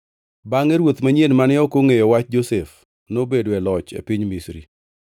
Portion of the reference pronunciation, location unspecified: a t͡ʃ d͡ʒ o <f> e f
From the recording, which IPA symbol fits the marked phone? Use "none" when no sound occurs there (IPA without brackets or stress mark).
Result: s